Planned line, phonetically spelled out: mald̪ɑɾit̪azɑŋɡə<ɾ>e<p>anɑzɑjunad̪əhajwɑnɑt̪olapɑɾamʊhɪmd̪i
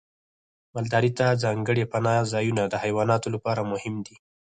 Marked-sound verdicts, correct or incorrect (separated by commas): incorrect, correct